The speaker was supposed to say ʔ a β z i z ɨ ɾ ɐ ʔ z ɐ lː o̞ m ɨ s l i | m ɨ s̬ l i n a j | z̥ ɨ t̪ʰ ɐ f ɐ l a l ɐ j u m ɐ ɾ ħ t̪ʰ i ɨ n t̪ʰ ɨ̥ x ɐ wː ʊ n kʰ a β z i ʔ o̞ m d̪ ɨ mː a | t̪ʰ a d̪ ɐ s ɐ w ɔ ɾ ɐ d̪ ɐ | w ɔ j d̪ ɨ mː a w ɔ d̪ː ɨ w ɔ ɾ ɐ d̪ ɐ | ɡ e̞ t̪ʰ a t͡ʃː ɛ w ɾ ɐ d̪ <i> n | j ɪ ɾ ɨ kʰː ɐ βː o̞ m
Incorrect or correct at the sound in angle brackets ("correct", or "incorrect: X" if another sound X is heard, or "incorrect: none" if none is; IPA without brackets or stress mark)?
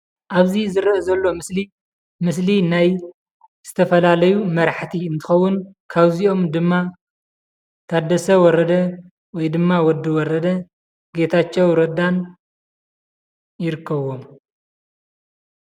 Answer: incorrect: a